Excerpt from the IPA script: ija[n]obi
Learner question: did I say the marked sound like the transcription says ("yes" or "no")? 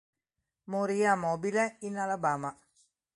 no